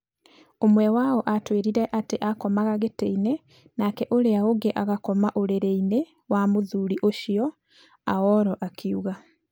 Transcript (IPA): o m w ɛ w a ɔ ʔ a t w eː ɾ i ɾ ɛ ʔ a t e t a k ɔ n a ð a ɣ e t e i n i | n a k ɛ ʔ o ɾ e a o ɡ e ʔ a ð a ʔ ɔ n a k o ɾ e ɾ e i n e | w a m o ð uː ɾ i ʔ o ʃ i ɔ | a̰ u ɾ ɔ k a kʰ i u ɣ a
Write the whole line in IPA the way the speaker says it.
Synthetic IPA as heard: o m w ɛ w a ɔ ʔ a t w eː ɾ i ɾ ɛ ʔ a t e ʔ a k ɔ m a ɣ a ɣ e t e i n e | n a k ɛ ʔ o ɾ e a o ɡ e ʔ a ɣ a k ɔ m a ʔ o ɾ e ɾ e i n e | w a m o ð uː ɾ i ʔ o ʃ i ɔ | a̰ ɔ ɾ ɔ ʔ a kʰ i u ɣ a